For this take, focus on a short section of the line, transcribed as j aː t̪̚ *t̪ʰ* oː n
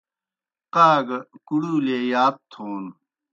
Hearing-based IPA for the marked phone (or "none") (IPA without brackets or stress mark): t̪ʰ